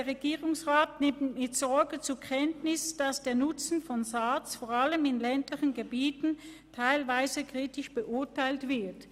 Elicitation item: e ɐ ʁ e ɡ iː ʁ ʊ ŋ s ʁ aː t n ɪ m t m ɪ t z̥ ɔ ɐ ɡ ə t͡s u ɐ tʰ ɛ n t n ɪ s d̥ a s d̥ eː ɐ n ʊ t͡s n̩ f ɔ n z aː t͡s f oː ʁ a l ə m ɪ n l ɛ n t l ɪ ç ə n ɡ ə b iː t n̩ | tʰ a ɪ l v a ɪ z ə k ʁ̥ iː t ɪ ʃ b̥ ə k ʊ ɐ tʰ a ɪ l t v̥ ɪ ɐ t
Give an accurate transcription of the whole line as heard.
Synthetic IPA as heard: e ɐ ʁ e ɡ iː ʁ ʊ ŋ s ʁ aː t n ɪ m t m ɪ t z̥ ɔ ɐ ɡ ə t͡s u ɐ kʰ ɛ n t n ɪ s d̥ a s d̥ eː ɐ n ʊ t͡s n̩ f ɔ n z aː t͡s f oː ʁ a l ə m ɪ n l ɛ n t l ɪ ç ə n ɡ ə b iː t n̩ | tʰ a ɪ l v a ɪ z ə k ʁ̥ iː t ɪ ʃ b̥ ə ʔ ʊ ɐ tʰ a ɪ l t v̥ ɪ ɐ t